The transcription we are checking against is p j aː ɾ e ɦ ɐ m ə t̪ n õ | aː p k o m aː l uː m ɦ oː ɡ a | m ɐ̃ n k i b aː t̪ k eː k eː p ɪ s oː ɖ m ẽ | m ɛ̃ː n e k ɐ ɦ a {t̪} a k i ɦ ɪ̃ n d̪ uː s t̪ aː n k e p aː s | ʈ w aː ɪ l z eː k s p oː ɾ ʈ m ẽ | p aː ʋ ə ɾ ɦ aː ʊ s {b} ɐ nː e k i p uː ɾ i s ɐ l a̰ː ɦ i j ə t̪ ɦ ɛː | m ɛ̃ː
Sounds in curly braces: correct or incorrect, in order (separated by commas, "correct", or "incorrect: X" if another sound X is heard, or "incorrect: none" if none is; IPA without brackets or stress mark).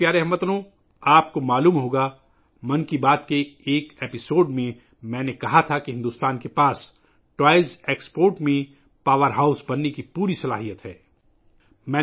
incorrect: t̪ʰ, correct